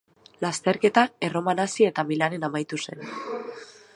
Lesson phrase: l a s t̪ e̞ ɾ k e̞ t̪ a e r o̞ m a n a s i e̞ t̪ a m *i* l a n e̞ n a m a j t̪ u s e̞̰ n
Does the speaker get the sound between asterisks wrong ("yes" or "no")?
no